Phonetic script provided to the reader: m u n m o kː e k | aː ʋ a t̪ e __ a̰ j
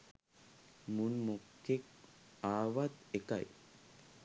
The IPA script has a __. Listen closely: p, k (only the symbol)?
k